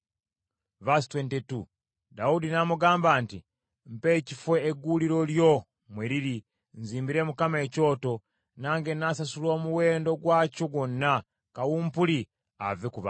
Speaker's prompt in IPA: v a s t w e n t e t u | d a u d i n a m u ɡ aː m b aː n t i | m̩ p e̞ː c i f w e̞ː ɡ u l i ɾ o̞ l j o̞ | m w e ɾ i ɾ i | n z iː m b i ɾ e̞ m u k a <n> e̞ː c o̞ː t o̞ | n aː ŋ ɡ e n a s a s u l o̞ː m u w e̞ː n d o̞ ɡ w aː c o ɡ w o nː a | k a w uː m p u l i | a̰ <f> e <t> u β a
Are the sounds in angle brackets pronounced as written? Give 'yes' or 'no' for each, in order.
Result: no, no, no

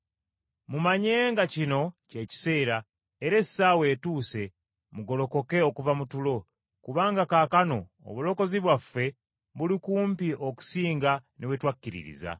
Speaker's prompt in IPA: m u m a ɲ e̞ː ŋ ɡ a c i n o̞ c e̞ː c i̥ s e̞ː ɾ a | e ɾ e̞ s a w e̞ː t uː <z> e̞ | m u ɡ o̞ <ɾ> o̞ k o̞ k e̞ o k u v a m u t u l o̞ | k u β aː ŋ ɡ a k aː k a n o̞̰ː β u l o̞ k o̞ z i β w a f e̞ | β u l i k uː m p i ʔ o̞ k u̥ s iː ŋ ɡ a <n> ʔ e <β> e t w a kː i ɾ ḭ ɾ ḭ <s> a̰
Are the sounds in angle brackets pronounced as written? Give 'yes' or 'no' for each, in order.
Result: no, no, yes, no, no

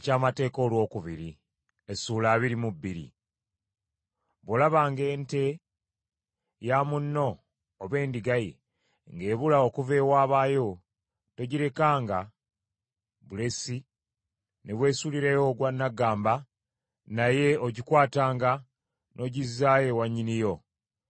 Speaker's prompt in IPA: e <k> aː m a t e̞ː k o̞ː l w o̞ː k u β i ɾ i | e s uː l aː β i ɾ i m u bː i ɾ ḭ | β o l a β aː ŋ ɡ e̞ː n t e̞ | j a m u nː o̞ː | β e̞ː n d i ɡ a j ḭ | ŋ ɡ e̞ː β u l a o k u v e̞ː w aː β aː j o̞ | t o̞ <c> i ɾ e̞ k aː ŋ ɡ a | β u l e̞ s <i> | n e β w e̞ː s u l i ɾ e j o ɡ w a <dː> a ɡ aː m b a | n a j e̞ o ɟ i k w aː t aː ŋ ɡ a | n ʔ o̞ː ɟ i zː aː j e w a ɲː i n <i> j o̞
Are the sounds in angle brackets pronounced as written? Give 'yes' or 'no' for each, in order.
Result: no, no, yes, no, yes

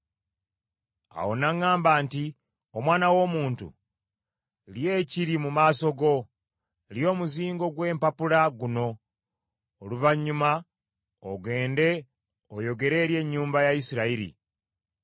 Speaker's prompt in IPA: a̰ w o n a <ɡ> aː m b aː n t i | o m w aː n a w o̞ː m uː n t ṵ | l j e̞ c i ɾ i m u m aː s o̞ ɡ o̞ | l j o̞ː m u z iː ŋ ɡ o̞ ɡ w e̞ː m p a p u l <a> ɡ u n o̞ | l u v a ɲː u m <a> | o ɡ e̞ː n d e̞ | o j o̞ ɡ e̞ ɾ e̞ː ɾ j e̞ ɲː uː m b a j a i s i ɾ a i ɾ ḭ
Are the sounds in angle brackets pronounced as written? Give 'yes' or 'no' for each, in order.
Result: no, yes, yes

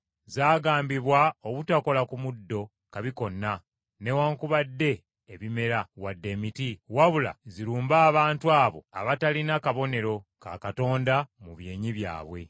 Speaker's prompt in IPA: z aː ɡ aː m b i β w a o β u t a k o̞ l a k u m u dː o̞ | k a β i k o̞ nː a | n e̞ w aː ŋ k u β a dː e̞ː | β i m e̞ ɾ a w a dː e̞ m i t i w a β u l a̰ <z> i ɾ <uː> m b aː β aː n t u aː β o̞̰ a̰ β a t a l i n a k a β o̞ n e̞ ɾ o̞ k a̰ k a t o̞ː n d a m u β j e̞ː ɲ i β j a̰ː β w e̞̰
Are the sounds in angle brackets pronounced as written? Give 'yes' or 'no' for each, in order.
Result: yes, yes

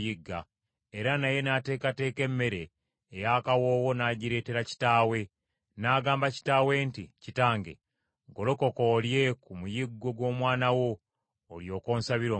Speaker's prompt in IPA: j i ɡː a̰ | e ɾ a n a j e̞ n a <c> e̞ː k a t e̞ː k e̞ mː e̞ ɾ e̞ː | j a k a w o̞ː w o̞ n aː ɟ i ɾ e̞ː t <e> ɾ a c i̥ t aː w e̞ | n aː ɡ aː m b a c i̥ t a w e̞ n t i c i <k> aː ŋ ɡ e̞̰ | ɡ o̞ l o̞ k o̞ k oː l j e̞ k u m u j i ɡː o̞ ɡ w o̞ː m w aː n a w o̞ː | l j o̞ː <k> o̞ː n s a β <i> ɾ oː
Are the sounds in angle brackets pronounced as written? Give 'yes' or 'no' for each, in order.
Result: no, yes, no, yes, yes

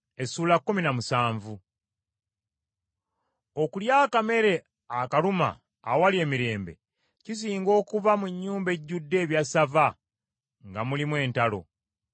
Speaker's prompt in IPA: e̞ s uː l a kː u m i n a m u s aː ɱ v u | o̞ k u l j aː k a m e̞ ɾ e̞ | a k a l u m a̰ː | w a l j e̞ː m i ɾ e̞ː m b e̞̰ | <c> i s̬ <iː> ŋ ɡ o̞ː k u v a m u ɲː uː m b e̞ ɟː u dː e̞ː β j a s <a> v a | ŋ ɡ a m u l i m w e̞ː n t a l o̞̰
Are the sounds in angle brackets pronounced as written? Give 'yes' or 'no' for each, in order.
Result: yes, yes, yes

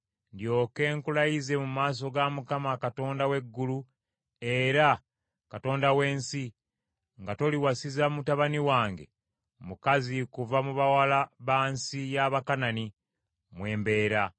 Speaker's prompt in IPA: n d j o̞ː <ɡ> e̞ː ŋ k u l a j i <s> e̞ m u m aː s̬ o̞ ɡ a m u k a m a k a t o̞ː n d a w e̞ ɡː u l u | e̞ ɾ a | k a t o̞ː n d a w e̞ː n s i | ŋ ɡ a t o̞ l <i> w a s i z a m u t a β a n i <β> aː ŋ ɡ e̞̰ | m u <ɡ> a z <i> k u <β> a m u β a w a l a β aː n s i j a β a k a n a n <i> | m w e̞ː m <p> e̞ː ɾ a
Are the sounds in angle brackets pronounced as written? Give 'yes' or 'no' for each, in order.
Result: no, no, yes, no, no, yes, no, yes, no

